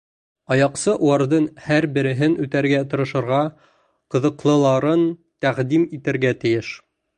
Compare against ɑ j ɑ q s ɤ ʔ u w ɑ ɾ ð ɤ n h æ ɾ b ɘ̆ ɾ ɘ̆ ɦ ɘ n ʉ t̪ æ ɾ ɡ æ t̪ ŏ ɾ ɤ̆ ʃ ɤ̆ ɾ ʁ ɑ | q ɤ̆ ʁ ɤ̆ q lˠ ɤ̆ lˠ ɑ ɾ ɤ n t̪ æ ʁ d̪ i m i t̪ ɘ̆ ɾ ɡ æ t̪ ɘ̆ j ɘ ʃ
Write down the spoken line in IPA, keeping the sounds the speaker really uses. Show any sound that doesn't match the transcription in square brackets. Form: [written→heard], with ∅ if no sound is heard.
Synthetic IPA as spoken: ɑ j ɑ q s ɤ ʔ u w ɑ ɾ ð ɤ n h æ ɾ b ɘ̆ ɾ ɘ̆ ɦ ɘ n ʉ t̪ æ ɾ ɡ æ t̪ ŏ ɾ ɤ̆ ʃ ɤ̆ ɾ ʁ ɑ | q ɤ̆ [ʁ→ð] ɤ̆ q lˠ ɤ̆ lˠ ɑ ɾ ɤ n t̪ æ ʁ d̪ i m i t̪ ɘ̆ ɾ ɡ æ t̪ ɘ̆ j ɘ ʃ

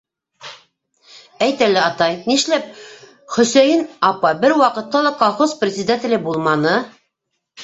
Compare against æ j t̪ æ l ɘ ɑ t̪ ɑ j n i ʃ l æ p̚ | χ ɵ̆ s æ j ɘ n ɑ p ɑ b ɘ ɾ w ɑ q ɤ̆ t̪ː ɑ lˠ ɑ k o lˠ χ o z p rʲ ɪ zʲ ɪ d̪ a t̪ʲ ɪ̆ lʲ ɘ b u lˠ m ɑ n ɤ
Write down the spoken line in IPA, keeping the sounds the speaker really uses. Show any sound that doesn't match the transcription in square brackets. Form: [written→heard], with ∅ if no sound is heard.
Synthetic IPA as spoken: æ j t̪ æ l ɘ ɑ t̪ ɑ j n i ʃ l æ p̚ | χ ɵ̆ s æ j ɘ n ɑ p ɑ b ɘ ɾ w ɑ q ɤ̆ t̪ː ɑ lˠ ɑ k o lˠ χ o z p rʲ ɪ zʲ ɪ d̪ a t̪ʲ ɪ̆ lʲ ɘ b u lˠ m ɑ n ɤ

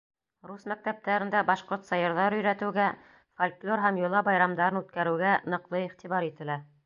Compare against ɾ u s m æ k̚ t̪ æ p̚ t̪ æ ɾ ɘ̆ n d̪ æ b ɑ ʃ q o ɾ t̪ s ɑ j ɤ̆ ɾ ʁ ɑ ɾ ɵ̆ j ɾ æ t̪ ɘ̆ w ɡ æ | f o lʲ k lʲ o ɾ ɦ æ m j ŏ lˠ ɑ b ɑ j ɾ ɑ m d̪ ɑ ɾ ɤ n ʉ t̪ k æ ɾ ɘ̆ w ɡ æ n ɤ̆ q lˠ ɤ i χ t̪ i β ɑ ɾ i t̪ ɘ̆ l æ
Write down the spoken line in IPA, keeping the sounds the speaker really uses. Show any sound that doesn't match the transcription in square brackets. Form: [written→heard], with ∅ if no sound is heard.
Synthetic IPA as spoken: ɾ u s m æ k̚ t̪ æ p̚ t̪ æ ɾ ɘ̆ n d̪ æ b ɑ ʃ q o ɾ t̪ s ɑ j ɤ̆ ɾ [ʁ→ð] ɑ ɾ ɵ̆ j ɾ æ t̪ ɘ̆ w ɡ æ | f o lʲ k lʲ o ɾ ɦ æ m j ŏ lˠ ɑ b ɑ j ɾ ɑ m d̪ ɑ ɾ ɤ n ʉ t̪ k æ ɾ ɘ̆ w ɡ æ n ɤ̆ q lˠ ɤ i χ t̪ i β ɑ ɾ i t̪ ɘ̆ l æ

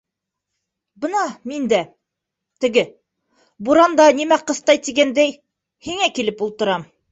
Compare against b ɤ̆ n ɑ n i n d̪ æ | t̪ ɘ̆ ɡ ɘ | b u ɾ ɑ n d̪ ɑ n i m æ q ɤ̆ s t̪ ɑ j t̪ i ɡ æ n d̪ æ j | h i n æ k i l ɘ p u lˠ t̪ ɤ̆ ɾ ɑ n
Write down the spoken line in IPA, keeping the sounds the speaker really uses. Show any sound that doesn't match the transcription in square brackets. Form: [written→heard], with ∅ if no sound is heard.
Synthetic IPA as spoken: b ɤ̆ n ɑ [n→m] i n d̪ æ | t̪ ɘ̆ ɡ ɘ | b u ɾ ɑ n d̪ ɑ n i m æ q ɤ̆ s t̪ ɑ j t̪ i ɡ æ n d̪ æ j | h i [n→ŋ] æ k i l ɘ p u lˠ t̪ ɤ̆ ɾ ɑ [n→m]

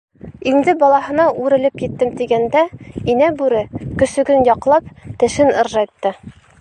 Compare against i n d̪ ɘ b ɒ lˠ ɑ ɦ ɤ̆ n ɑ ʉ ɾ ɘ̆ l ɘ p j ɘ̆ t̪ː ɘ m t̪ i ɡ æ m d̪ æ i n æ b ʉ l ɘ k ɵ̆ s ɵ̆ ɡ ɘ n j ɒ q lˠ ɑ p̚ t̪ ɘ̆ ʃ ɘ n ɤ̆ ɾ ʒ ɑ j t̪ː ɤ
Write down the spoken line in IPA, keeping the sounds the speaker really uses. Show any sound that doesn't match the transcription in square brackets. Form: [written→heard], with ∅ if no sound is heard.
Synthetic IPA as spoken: i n d̪ ɘ b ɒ lˠ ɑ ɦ ɤ̆ n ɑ ʉ ɾ ɘ̆ l ɘ p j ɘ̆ t̪ː ɘ m t̪ i ɡ æ [m→n] d̪ æ i n æ b ʉ [l→ɾ] ɘ k ɵ̆ s ɵ̆ ɡ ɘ n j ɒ q lˠ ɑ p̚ t̪ ɘ̆ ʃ ɘ n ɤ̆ ɾ ʒ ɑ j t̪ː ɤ

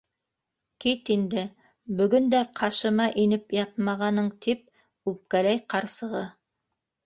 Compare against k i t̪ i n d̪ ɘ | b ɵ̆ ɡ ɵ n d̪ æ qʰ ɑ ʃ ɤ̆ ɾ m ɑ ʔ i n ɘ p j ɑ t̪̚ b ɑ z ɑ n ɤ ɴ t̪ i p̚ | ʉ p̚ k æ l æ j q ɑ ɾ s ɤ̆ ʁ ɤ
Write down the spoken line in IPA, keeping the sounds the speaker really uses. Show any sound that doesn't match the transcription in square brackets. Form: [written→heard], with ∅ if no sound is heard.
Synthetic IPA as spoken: k i t̪ i n d̪ ɘ | b ɵ̆ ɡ ɵ n d̪ æ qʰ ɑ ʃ ɤ̆ [ɾ→∅] m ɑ ʔ i n ɘ p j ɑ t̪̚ [b→m] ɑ [z→ʁ] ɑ n ɤ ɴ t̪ i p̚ | ʉ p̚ k æ l æ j q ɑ ɾ s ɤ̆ ʁ ɤ

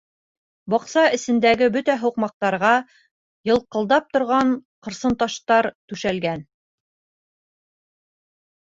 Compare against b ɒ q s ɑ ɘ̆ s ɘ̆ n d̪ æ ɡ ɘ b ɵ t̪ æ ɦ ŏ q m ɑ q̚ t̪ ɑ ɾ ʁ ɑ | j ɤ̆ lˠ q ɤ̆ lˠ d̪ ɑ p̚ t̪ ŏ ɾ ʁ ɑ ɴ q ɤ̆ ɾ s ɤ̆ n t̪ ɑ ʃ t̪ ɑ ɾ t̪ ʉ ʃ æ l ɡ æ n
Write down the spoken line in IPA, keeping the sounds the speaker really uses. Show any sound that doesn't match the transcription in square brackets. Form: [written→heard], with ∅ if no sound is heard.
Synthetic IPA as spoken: b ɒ q s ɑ ɘ̆ s ɘ̆ n d̪ æ ɡ ɘ b ɵ t̪ æ ɦ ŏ q m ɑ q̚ t̪ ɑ ɾ ʁ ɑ | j ɤ̆ lˠ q ɤ̆ lˠ d̪ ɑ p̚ t̪ ŏ ɾ ʁ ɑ ɴ q ɤ̆ ɾ s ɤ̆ n t̪ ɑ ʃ t̪ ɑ ɾ t̪ ʉ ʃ æ l ɡ æ n

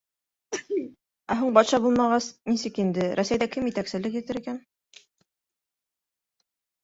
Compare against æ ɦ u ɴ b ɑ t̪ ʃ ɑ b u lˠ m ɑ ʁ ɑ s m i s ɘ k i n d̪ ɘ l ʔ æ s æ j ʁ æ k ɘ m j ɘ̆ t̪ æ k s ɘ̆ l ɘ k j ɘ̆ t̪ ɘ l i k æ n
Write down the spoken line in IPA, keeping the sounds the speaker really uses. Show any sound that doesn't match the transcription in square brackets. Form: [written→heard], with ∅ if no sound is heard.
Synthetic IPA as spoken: æ ɦ u ɴ b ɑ t̪ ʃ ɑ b u lˠ m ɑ ʁ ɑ s [m→n] i s ɘ k i n d̪ ɘ [l→ɾ] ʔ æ s æ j [ʁ→ð] æ k ɘ m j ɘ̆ t̪ æ k s ɘ̆ l ɘ k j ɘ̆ t̪ ɘ [l→ɾ] i k æ n

